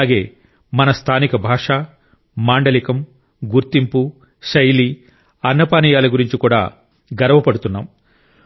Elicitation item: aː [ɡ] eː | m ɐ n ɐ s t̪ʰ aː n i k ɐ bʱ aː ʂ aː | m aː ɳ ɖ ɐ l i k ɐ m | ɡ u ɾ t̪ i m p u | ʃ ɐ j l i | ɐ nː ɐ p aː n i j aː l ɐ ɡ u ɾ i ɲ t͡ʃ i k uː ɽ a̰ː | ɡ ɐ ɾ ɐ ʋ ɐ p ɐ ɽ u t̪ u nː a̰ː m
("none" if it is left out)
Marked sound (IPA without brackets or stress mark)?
ɡ